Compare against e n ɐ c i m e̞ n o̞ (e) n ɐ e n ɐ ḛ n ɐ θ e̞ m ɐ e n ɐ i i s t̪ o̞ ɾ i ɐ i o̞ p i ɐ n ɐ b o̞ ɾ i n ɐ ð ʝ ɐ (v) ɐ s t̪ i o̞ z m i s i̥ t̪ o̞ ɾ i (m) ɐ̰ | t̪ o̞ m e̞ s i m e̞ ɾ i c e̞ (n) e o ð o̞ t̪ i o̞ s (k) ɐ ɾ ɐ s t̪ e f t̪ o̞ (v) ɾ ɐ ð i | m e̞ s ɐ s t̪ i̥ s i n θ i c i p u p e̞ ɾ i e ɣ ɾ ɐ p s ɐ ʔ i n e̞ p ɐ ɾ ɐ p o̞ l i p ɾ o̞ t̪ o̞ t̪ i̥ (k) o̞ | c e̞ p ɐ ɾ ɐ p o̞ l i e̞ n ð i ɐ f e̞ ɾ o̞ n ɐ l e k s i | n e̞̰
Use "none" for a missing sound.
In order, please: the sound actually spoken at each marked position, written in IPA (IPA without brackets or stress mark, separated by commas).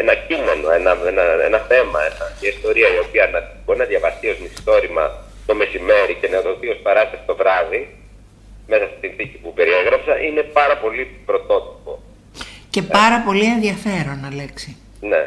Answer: e, v, m, n, p, v, p